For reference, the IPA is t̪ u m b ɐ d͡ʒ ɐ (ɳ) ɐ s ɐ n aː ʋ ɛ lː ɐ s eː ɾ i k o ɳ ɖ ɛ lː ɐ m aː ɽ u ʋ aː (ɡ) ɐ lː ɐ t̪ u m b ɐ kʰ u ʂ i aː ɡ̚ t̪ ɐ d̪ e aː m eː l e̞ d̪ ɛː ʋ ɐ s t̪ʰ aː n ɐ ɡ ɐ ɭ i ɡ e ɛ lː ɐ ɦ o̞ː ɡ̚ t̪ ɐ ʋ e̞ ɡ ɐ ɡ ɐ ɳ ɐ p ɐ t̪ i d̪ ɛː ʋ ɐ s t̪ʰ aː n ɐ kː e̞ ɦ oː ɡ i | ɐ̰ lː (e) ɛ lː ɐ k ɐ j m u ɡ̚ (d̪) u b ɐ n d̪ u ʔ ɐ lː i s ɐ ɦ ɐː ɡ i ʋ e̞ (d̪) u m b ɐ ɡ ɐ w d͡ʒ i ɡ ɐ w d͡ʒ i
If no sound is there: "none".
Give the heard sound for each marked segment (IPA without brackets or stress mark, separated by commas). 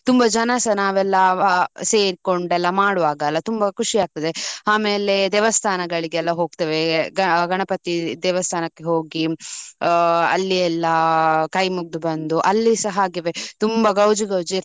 n, ɡ, i, d̪, t̪